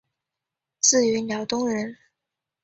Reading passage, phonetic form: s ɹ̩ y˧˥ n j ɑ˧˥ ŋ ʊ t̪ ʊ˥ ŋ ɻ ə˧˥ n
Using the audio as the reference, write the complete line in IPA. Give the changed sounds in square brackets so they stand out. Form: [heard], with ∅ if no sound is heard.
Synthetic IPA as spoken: [t͡s] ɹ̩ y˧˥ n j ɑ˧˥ [∅] ʊ t̪ ʊ˥ ŋ ɻ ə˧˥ n